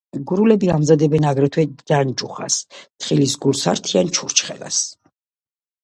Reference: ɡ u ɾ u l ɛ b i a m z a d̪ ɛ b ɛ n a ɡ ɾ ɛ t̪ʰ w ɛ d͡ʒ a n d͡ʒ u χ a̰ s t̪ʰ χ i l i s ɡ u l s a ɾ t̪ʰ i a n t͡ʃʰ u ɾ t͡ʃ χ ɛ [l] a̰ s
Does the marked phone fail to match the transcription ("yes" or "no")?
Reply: no